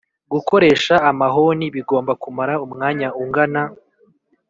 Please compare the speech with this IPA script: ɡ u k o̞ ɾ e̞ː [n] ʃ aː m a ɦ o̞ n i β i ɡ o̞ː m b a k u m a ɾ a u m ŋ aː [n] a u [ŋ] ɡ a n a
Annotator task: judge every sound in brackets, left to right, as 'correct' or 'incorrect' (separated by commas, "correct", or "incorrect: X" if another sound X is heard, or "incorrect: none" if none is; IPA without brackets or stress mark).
incorrect: none, incorrect: ɲ, correct